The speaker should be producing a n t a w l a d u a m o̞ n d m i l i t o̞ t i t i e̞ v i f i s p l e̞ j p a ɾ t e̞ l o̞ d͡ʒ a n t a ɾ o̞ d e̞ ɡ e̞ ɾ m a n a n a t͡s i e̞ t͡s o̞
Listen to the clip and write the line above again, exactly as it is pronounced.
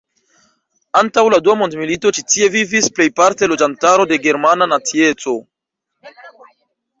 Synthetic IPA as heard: a n t a w l a d u a m o̞ n d m i l i t o̞ t͡ʃ i t i e̞ v i v i s p l e̞ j p a ɾ t e̞ l o̞ d͡ʒ a n t a ɾ o̞ d e̞ ɡ e̞ ɾ m a n a n a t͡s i e̞ t͡s o̞